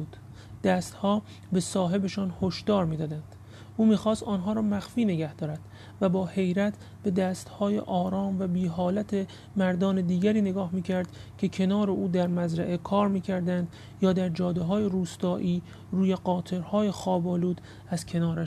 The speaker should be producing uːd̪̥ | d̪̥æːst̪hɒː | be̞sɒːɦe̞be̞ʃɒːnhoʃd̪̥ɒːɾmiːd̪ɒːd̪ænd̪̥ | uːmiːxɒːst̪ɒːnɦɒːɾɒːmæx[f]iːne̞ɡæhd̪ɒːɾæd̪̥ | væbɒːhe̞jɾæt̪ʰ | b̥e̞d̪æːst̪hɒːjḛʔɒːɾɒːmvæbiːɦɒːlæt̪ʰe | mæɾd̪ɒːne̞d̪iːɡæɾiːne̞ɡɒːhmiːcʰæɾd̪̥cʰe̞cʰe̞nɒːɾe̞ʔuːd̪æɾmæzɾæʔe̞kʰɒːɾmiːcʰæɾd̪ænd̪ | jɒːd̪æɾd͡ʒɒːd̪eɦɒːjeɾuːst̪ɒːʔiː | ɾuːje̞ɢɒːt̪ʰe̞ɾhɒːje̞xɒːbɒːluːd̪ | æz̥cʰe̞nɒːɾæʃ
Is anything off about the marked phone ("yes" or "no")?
no